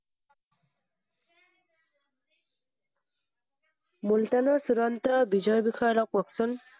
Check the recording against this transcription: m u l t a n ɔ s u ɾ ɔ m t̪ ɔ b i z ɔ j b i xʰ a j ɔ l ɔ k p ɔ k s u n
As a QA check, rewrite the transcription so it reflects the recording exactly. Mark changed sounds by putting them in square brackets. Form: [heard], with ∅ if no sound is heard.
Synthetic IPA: m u l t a n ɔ s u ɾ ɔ [n] t̪ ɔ b i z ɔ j b i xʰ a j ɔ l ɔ k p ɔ k s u n